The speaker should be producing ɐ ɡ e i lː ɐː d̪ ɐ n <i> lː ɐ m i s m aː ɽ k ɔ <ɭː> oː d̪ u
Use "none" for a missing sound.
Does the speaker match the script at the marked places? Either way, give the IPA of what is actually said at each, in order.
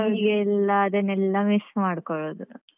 ɛ, ɭ

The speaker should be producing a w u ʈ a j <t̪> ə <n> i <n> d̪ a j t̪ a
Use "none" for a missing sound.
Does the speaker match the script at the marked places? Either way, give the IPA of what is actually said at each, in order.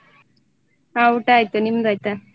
t̪, n, m

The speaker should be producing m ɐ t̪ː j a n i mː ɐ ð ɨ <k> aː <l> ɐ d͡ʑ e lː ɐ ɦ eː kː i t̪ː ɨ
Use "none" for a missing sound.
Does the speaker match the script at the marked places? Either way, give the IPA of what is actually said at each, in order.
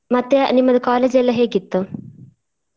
k, l

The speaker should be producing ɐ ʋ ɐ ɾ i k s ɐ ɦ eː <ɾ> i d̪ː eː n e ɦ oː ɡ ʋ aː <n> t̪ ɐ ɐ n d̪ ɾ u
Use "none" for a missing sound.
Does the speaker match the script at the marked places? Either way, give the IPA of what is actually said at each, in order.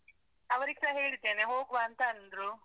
ɭ, n

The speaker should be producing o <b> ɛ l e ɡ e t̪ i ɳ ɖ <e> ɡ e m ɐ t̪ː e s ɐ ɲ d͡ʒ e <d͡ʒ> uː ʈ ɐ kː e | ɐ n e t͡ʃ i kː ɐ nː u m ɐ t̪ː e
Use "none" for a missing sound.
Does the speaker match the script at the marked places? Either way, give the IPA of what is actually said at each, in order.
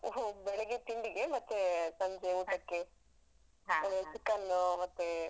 b, i, none

